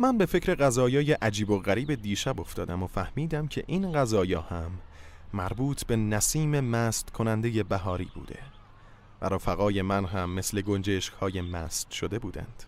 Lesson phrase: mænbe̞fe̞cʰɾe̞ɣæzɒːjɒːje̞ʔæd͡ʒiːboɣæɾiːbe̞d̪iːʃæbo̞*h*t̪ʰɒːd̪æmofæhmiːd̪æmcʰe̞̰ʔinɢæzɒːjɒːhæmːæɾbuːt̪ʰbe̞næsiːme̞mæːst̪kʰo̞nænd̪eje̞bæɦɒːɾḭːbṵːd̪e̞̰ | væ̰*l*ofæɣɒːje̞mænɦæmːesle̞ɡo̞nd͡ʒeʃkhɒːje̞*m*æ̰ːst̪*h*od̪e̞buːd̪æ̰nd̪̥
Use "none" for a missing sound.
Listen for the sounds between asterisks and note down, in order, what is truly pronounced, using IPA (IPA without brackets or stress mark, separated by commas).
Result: f, ɾ, m, ʃ